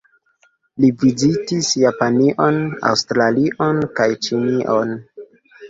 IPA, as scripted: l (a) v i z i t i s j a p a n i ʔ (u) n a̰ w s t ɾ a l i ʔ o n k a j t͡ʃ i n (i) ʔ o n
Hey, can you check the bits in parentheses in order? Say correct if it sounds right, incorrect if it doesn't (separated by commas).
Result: incorrect, incorrect, correct